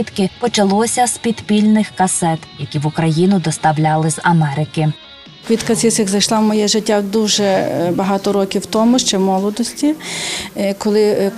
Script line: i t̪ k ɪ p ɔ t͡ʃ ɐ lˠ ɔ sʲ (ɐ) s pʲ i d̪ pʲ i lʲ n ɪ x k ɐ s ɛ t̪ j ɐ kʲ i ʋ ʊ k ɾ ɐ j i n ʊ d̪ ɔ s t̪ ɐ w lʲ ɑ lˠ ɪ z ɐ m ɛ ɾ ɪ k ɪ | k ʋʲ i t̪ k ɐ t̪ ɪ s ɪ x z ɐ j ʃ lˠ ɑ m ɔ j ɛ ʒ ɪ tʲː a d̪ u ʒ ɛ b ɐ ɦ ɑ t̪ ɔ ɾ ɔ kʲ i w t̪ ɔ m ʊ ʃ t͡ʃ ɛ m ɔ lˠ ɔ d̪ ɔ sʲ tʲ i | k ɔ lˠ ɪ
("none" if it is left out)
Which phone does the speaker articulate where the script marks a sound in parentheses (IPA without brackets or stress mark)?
ɐ